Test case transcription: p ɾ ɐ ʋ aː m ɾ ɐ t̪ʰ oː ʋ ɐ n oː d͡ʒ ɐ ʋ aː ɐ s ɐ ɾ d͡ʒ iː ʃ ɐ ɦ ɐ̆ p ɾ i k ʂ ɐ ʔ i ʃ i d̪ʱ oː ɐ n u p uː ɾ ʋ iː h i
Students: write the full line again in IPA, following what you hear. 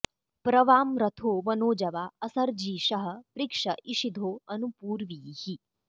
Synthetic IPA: p ɾ ɐ ʋ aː m ɾ ɐ t̪ʰ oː ʋ ɐ n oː d͡ʒ ɐ ʋ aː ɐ s ɐ ɾ d͡ʒ iː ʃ ɐ ɦ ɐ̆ p ɾ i k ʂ ɐ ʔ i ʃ i d̪ʱ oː ɐ n u p uː ɾ ʋ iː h i